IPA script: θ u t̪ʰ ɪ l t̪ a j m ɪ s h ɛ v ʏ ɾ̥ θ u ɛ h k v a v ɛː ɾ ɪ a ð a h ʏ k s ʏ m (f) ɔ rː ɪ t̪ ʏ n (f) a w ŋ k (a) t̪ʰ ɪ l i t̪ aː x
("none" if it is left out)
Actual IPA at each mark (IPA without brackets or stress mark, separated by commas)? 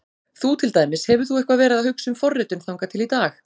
f, θ, a